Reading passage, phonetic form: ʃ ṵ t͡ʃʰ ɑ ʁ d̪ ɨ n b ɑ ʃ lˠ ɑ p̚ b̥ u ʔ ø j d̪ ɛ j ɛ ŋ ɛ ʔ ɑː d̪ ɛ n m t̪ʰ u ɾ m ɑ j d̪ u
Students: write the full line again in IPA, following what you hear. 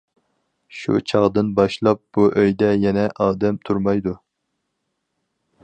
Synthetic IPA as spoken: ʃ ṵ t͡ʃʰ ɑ ʁ d̪ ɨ n b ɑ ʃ lˠ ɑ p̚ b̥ u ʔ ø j d̪ ɛ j ɛ n ɛ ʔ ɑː d̪ ɛ m t̪ʰ u ɾ m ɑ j d̪ u